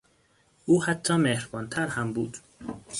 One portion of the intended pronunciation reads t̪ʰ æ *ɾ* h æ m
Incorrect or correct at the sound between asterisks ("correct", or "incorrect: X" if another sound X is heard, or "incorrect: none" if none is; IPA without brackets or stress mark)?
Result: correct